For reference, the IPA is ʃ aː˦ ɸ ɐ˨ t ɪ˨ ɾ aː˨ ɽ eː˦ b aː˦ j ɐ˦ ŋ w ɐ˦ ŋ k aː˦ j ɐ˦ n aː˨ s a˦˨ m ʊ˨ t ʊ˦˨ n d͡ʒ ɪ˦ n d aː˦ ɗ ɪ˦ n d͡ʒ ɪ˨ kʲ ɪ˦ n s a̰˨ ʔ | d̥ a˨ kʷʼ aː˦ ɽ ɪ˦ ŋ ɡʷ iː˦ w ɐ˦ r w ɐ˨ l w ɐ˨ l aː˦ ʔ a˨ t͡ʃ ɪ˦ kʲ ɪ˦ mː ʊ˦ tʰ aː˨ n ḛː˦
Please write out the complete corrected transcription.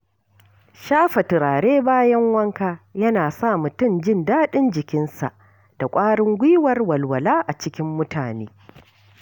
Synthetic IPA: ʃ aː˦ ɸ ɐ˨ t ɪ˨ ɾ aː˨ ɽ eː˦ b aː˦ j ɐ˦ ŋ w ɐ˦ ŋ k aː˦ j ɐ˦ n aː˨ s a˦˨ m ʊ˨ t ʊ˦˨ n d͡ʒ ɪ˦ n d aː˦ ɗ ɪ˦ n d͡ʒ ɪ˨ kʲ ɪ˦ n s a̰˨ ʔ | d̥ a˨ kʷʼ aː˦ ɽ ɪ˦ ŋ ɡʷ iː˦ w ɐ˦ r w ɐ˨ l w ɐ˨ l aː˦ ʔ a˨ t͡ʃ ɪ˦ kʲ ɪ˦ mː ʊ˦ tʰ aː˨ n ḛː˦